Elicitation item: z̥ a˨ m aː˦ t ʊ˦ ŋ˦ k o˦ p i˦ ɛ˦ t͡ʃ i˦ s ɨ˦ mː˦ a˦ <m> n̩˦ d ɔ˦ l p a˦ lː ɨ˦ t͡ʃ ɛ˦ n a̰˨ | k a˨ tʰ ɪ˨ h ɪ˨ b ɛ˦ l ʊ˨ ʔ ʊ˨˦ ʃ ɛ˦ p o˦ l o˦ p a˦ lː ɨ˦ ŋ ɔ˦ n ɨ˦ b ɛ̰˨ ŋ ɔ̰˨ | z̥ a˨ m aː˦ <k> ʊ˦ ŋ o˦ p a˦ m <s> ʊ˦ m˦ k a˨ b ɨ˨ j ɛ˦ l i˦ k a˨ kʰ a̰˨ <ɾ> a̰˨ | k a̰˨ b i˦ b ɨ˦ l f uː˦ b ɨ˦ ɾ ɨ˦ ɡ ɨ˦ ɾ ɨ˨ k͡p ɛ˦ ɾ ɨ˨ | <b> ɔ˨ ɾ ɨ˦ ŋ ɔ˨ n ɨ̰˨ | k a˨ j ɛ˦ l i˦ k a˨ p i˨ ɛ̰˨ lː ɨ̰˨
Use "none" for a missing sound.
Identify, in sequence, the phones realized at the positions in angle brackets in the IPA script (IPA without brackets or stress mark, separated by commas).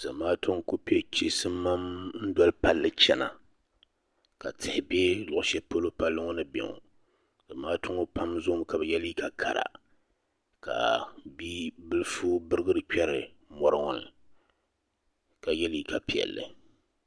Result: m, t, z, ɾ, m